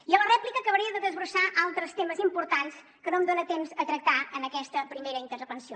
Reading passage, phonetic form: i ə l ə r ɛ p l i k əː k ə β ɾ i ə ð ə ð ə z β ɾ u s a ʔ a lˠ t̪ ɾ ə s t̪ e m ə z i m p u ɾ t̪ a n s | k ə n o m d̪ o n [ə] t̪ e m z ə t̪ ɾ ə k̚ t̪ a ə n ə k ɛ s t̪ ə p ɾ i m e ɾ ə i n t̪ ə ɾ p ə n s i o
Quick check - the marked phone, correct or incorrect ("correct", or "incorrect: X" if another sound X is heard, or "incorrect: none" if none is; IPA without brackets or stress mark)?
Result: correct